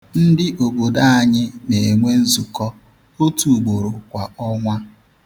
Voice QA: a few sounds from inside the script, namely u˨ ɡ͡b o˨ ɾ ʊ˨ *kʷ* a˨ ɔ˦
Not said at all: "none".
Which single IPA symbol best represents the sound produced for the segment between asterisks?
kʷ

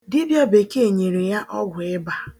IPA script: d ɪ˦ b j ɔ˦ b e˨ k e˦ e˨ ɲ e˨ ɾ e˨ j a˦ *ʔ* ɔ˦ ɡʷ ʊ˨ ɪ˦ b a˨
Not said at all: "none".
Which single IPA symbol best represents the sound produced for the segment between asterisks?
ʔ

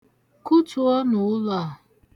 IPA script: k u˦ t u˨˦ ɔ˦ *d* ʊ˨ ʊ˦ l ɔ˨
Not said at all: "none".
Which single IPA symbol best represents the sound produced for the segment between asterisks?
n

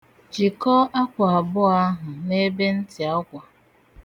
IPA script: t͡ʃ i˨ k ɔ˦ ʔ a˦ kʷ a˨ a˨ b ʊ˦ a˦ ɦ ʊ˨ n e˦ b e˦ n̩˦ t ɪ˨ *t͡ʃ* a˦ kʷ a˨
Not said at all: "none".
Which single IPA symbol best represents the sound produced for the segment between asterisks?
none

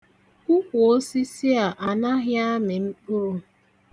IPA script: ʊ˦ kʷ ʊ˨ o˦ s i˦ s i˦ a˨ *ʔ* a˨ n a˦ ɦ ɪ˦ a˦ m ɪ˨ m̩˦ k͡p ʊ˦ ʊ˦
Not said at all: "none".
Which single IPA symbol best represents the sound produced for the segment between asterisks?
ʔ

